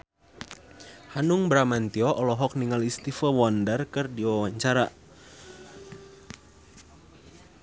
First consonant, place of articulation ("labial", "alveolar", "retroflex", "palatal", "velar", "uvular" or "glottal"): glottal